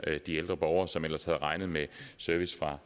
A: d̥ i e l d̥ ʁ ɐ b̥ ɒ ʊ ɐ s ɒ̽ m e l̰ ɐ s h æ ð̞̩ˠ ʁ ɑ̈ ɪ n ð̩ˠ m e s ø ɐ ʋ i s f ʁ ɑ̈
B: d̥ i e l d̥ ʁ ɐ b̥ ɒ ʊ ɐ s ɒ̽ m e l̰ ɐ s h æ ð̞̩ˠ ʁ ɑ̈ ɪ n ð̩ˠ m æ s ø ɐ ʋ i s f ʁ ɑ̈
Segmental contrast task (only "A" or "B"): A